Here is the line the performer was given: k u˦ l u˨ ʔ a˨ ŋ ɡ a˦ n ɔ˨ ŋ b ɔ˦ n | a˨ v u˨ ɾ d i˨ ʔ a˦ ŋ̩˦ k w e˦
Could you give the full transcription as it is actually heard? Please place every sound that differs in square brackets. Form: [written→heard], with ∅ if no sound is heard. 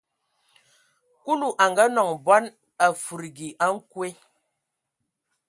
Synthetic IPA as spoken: k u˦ l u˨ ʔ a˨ ŋ ɡ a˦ n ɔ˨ ŋ b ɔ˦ n | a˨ [v→f] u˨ ɾ [d→ɡ] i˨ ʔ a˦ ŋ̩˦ k w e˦